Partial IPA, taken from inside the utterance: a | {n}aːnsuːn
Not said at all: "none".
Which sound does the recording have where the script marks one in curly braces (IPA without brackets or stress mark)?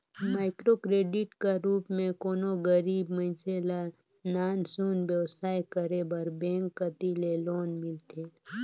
n